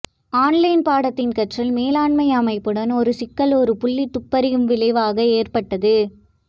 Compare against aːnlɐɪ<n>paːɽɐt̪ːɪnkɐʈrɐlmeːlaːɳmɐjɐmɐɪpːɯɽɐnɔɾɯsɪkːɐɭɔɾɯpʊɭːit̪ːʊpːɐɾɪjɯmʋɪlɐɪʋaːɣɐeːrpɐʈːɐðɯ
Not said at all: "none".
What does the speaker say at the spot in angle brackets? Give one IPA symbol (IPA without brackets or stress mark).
n